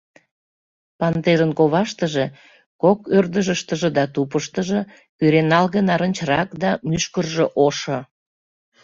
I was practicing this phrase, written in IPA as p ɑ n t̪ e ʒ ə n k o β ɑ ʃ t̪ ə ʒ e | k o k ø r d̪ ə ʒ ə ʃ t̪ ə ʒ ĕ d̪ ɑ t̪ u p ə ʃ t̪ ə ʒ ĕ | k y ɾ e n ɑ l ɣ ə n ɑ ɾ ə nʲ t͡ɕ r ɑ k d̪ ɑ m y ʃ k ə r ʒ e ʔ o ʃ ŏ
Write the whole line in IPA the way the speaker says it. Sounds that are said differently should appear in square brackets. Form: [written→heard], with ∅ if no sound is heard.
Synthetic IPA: p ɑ n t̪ e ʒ ə n k o β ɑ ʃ t̪ ə ʒ e | k o k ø r d̪ ə ʒ ə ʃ t̪ ə ʒ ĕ d̪ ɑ t̪ u p ə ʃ t̪ ə ʒ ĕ | k y ɾ e n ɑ l ɣ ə n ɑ ɾ ə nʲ t͡ɕ r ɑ k d̪ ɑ m y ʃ k ə r ʒ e ʔ o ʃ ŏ